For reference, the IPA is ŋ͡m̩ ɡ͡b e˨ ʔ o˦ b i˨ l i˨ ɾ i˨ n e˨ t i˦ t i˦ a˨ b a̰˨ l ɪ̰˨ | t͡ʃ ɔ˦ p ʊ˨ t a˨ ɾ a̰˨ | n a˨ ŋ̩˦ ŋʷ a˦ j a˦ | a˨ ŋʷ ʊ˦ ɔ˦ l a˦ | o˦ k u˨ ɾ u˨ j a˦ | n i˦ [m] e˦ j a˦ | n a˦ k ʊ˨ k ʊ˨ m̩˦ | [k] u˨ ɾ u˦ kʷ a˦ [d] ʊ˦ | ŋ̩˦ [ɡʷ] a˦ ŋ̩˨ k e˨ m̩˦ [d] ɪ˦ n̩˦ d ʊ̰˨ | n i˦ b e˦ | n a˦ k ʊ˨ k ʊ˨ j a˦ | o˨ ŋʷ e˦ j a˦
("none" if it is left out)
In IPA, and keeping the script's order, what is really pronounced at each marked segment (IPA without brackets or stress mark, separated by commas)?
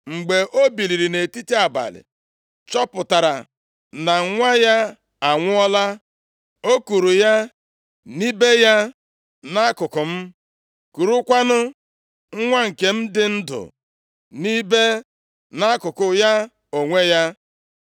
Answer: b, k, n, ŋʷ, d